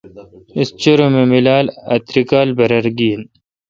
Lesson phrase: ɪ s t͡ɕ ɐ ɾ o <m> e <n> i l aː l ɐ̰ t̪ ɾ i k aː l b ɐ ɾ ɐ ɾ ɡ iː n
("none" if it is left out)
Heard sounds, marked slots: m, m

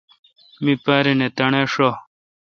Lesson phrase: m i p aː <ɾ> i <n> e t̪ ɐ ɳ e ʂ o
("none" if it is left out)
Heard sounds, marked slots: ɾ, n

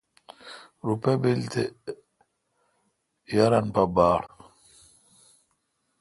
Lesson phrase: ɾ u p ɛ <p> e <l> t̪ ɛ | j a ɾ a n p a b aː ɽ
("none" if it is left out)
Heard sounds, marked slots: b, l

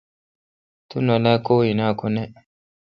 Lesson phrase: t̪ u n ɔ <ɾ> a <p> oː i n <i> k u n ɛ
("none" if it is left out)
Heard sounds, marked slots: l, k, a

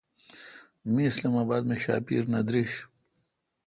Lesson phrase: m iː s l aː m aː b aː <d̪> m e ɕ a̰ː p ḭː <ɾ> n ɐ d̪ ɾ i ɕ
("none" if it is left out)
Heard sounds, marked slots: d̪, ɾ

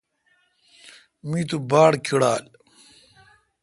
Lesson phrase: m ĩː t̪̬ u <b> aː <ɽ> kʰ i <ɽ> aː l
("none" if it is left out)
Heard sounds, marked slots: b, ɽ, ɽ

